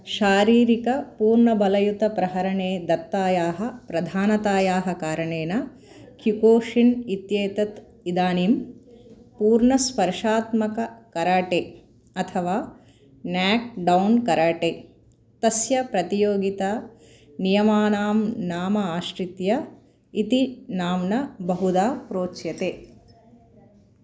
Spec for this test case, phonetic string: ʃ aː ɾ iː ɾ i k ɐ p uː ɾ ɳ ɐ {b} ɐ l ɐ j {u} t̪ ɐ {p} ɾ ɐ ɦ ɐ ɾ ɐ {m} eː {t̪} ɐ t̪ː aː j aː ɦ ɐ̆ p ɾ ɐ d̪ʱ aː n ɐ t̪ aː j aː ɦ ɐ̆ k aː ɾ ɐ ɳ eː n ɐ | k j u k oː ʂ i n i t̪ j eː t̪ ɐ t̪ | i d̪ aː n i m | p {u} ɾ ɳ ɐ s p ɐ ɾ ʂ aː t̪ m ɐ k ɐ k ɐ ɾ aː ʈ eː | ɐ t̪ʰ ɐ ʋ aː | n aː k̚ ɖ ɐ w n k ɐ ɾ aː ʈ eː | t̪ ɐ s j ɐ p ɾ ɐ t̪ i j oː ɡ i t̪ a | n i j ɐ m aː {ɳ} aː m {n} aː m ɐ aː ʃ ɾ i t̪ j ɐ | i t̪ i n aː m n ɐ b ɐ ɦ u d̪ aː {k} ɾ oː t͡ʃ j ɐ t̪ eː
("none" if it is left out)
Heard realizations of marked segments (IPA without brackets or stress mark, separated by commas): b, u, p, ɳ, d̪, uː, n, n, p